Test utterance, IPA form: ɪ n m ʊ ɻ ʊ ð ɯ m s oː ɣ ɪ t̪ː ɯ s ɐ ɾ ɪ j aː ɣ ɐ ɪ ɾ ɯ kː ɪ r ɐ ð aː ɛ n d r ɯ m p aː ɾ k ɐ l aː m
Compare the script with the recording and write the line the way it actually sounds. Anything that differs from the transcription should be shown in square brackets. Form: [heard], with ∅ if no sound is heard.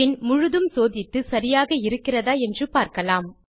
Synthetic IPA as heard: ɪ n m ʊ ɻ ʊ ð ɯ m s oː [ð] ɪ t̪ː ɯ s ɐ ɾ ɪ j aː ɣ ɐ ɪ ɾ ɯ kː ɪ r ɐ ð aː ɛ n d r ɯ [∅] p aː ɾ k ɐ l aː m